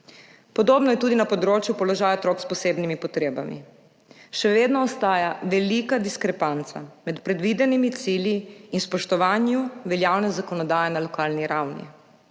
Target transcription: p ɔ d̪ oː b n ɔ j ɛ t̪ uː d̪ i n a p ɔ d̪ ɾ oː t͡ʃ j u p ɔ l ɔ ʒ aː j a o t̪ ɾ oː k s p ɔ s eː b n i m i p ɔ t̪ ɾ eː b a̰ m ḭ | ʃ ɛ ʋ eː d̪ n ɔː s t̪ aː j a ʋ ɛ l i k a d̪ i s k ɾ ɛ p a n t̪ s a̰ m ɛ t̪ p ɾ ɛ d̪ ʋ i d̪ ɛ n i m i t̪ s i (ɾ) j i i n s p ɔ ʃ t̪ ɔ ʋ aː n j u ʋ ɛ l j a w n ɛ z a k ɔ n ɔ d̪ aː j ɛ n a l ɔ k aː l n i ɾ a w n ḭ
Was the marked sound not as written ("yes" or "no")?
yes